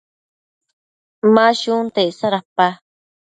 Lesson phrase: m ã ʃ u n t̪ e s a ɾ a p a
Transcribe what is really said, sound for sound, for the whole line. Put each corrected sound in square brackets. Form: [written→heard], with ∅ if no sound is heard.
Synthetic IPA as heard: m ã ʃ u n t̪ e s a ɾ a p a